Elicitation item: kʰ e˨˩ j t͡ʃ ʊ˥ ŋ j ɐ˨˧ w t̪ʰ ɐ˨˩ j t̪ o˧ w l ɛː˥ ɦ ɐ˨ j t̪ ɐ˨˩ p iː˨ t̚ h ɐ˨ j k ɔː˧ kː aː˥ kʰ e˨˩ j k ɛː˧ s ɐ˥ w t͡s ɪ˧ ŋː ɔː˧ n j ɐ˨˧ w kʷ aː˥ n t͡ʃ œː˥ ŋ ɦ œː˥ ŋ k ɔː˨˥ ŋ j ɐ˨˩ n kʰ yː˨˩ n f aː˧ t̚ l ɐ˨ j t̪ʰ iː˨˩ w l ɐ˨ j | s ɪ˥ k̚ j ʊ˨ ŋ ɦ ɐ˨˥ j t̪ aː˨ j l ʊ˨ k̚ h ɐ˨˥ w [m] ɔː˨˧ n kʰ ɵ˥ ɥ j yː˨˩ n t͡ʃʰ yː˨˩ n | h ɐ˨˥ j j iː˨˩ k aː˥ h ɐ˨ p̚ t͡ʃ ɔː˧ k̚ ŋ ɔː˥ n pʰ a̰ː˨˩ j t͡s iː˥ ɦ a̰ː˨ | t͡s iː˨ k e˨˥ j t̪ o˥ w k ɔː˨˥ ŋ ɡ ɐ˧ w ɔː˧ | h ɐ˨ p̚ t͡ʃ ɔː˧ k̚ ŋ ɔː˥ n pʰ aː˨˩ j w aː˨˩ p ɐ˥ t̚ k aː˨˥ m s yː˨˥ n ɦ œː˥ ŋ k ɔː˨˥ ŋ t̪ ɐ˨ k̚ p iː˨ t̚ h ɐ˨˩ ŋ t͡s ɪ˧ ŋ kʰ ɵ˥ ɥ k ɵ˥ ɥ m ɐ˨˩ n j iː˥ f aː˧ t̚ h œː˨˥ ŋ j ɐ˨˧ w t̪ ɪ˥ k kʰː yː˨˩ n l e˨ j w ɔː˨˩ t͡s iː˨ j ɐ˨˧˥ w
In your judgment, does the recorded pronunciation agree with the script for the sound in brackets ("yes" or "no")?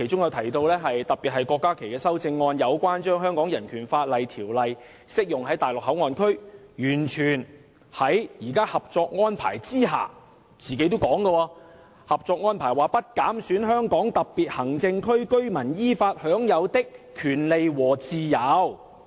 no